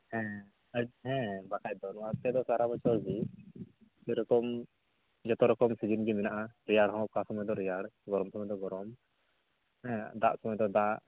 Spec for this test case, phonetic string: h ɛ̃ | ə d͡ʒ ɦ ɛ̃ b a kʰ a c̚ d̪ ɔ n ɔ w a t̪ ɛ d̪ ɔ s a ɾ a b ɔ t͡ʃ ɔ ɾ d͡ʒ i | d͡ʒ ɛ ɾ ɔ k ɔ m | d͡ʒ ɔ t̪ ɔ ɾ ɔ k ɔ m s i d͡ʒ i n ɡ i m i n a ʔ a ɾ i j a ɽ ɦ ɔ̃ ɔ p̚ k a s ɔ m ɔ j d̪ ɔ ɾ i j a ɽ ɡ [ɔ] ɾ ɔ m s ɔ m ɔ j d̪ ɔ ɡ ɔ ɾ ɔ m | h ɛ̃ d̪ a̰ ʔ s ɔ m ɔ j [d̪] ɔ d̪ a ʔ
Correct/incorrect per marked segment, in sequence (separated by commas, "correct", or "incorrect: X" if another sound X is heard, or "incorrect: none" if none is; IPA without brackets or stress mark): correct, correct